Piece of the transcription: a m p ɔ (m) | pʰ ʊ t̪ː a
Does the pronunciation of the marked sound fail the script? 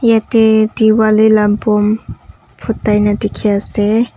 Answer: no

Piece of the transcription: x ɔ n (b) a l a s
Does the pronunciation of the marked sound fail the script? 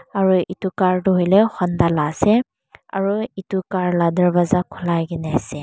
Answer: yes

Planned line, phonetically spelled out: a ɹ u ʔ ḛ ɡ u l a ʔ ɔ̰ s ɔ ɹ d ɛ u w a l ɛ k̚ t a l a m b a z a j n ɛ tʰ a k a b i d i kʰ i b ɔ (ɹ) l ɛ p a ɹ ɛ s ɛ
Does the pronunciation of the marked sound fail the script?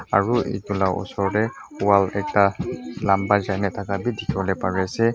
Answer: yes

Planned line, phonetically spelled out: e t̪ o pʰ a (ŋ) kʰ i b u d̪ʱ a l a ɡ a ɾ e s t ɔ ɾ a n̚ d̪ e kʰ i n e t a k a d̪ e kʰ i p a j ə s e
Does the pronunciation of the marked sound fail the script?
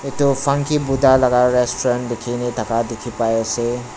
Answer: no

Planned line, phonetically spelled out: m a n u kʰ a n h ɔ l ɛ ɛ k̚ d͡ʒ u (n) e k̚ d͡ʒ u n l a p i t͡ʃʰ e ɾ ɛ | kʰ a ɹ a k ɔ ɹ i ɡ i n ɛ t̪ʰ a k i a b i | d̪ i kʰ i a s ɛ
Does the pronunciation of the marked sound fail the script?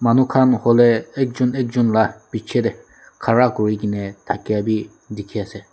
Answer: no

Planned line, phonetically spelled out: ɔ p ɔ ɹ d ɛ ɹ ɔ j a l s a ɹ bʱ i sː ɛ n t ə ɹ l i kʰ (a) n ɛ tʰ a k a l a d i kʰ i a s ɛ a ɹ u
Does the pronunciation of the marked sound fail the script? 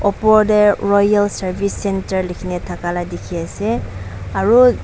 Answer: yes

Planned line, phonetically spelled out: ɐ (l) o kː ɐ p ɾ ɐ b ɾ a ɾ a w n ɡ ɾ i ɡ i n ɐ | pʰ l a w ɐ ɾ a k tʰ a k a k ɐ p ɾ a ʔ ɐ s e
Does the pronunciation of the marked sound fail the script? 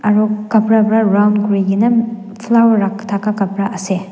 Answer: yes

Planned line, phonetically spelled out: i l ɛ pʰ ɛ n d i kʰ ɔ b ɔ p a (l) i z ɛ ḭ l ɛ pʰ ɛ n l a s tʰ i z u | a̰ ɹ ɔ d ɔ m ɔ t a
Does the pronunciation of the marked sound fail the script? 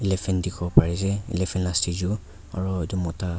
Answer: yes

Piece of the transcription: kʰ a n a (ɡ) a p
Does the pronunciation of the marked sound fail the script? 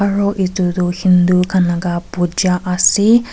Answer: no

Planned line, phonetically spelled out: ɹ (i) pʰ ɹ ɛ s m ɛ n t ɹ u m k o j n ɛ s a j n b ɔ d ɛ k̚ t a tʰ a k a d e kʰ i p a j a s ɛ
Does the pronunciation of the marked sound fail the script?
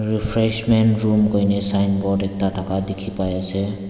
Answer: no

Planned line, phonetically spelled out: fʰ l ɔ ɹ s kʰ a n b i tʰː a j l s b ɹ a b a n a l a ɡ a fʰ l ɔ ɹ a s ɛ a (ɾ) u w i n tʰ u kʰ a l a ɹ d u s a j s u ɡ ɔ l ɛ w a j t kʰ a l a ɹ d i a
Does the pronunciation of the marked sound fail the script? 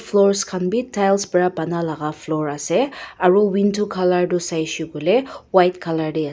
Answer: yes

